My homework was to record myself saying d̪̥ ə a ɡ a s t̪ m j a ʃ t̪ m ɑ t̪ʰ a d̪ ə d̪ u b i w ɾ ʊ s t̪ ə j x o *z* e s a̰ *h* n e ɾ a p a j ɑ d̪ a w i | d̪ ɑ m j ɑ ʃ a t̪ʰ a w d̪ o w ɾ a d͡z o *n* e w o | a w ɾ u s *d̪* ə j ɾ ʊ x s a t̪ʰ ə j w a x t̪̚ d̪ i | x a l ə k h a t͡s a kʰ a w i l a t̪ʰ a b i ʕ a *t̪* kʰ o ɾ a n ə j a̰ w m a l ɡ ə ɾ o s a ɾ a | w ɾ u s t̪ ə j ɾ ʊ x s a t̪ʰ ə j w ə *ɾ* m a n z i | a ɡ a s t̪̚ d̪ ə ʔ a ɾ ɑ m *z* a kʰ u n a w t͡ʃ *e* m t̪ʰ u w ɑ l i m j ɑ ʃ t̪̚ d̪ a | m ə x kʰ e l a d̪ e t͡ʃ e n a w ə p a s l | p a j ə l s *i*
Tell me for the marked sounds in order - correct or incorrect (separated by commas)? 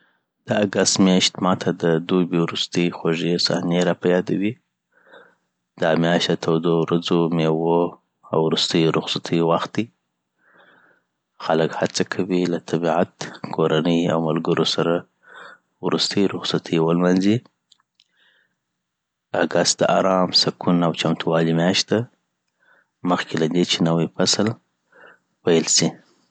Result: incorrect, correct, incorrect, incorrect, correct, incorrect, incorrect, incorrect, correct